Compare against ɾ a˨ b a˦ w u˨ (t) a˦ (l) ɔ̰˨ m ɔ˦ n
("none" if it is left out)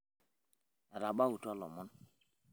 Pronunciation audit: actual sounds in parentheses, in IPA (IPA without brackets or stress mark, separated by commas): t, l